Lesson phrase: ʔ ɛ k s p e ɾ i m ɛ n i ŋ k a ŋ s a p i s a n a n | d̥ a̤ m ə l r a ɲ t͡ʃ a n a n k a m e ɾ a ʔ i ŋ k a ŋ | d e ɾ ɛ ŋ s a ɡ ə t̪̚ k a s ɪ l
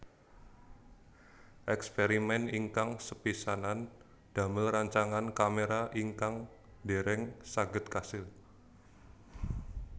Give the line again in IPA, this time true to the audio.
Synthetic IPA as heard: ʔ ɛ k s p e ɾ i m ɛ n i ŋ k a ŋ s ə p i s a n a n | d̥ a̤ m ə l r a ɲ t͡ʃ a ŋ a n k a m e ɾ a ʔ i ŋ k a ŋ | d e ɾ ɛ ŋ s a ɡ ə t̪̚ k a s ɪ l